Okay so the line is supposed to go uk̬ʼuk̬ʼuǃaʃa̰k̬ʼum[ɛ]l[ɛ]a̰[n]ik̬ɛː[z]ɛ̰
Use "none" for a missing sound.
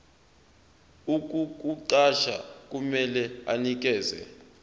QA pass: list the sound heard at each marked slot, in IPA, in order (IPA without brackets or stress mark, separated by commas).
ɛ, ɛ, n, z